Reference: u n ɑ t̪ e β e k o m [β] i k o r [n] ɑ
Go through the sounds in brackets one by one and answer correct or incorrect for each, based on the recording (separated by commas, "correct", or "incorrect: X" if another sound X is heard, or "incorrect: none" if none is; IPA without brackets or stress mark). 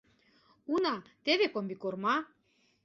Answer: incorrect: b, incorrect: m